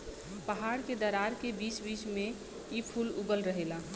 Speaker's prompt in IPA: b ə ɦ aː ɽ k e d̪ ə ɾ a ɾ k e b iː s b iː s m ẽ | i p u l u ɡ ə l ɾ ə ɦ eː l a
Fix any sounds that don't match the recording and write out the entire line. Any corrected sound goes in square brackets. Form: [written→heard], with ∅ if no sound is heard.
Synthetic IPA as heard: [b→p] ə ɦ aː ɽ k e d̪ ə ɾ a ɾ k e b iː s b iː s m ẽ | i [p→pʰ] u l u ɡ ə l ɾ ə ɦ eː l a